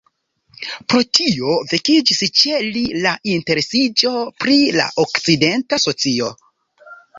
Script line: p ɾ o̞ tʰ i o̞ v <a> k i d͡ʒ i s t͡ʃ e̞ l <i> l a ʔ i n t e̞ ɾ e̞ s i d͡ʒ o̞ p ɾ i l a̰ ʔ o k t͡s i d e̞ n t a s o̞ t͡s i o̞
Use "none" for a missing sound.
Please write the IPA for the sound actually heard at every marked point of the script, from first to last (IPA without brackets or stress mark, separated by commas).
e, i